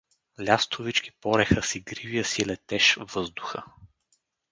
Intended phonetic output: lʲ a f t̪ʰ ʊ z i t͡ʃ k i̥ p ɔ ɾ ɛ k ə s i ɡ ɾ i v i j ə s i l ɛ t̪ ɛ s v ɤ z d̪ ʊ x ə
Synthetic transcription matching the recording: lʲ a s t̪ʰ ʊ v i t͡ʃ k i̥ p ɔ ɾ ɛ x ə s i ɡ ɾ i v i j ə s i l ɛ t̪ ɛ ʃ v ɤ z d̪ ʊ x ə